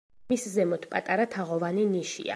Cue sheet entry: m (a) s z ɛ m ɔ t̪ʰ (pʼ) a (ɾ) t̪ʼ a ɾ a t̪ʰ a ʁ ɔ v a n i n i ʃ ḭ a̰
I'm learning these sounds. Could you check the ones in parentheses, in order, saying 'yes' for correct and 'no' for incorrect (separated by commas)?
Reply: no, yes, no